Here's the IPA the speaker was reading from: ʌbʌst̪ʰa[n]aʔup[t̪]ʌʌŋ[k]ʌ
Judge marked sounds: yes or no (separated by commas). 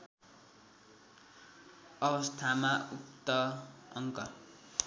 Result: no, yes, yes